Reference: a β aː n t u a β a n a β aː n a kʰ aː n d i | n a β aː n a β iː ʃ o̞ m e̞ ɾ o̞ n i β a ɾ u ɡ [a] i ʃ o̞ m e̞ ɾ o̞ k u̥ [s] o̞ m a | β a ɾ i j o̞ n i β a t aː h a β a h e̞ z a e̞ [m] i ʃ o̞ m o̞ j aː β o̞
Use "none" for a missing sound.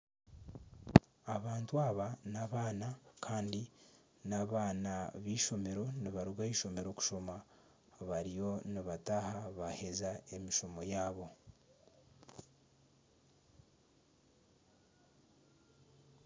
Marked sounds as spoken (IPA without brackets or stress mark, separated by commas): a, ʃ, m